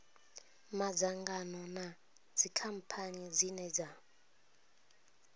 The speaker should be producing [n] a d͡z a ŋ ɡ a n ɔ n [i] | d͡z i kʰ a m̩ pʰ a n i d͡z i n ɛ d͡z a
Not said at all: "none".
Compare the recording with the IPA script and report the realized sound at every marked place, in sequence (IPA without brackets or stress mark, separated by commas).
m, a